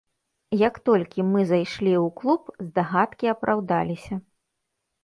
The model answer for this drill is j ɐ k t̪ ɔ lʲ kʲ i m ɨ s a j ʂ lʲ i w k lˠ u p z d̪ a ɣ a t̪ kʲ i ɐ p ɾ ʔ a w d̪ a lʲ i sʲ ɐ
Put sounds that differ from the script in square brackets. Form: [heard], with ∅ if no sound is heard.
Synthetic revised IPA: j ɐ k t̪ ɔ lʲ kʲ i m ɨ [z] a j ʂ lʲ i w k lˠ u p z d̪ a ɣ a t̪ kʲ i ɐ p ɾ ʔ a w d̪ a lʲ i sʲ ɐ